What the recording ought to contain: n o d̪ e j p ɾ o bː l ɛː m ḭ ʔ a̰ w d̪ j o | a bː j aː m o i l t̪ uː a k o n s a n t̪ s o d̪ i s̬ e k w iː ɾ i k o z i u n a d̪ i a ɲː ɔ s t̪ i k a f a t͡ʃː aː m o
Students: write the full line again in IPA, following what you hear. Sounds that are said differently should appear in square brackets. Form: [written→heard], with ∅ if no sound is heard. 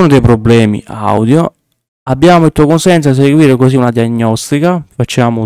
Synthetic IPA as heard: n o d̪ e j p ɾ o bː l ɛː m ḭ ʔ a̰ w d̪ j o | a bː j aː m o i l t̪ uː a k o n s [a→ɛ] n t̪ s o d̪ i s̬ e [k→ɡ] w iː ɾ [i→e] k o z i u n a d̪ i a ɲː ɔ s t̪ i k a f a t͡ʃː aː m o